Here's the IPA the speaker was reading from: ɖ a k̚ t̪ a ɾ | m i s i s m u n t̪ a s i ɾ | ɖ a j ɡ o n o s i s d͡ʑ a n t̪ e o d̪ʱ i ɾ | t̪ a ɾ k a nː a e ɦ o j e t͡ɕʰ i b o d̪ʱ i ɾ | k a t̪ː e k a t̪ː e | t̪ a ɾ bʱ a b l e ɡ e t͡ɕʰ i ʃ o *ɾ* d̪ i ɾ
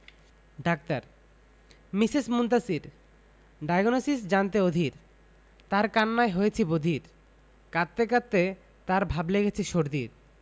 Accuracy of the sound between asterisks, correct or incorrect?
correct